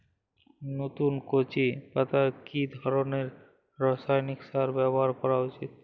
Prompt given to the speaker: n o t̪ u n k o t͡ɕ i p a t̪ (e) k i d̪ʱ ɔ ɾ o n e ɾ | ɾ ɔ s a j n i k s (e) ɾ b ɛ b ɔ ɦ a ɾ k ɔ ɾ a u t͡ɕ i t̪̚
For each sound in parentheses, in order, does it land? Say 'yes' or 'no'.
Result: no, no

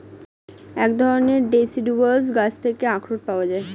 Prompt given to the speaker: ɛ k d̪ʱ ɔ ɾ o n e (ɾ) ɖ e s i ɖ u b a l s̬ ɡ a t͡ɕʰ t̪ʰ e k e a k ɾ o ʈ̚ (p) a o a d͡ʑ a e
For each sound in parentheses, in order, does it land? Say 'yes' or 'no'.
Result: yes, yes

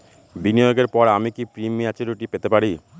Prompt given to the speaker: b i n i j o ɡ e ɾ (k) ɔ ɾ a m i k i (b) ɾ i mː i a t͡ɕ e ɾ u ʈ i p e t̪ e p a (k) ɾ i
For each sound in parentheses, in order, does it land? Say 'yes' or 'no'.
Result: no, no, no

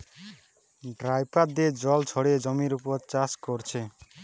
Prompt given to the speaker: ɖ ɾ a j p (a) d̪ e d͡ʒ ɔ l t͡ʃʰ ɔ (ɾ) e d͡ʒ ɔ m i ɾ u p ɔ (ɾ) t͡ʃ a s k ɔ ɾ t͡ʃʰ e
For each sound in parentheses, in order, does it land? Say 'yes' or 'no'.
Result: yes, no, yes

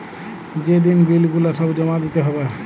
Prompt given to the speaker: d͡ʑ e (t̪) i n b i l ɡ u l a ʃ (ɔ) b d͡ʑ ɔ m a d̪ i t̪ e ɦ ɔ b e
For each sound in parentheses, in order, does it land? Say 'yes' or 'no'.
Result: no, yes

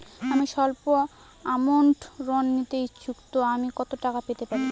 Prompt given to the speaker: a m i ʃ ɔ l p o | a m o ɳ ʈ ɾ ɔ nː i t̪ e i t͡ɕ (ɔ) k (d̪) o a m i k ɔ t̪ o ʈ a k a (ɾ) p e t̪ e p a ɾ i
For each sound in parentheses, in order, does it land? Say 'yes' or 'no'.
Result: no, no, no

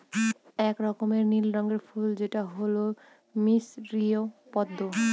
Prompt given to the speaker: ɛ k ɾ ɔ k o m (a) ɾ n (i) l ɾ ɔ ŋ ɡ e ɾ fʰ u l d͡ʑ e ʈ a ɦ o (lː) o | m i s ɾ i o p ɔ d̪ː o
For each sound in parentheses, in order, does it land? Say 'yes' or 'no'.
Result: no, yes, no

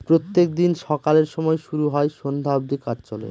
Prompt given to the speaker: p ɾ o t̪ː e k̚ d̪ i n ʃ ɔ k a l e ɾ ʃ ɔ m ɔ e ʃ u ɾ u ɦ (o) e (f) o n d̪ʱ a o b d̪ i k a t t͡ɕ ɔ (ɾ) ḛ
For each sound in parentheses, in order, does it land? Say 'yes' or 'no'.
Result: no, no, no

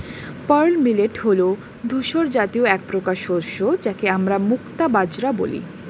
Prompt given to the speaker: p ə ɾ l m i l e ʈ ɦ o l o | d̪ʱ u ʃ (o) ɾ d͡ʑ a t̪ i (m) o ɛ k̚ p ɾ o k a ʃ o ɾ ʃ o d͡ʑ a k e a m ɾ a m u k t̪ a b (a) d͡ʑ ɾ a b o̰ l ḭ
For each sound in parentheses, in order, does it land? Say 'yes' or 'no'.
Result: yes, no, yes

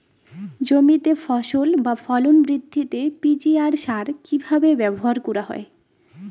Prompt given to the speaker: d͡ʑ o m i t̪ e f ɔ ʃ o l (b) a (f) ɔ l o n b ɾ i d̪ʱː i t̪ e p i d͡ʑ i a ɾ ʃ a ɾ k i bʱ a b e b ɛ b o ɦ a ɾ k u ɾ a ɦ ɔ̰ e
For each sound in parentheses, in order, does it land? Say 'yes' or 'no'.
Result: yes, yes

